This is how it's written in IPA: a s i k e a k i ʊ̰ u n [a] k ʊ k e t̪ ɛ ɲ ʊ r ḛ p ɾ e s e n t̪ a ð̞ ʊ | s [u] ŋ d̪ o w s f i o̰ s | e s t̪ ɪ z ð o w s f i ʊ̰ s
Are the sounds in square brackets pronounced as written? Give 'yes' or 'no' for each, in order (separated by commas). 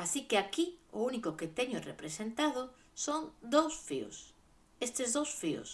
no, no